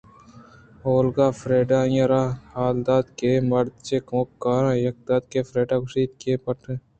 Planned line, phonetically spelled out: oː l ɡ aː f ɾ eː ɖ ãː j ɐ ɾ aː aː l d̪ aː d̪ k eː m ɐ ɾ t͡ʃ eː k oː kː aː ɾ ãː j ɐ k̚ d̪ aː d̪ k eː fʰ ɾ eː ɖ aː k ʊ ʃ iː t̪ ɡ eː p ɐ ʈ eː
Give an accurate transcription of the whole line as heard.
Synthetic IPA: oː l ɡ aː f ɾ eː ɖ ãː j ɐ ɾ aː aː l d̪ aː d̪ k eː m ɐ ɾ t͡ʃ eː k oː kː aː ɾ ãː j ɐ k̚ d̪ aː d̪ k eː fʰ ɾ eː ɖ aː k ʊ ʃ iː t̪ k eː p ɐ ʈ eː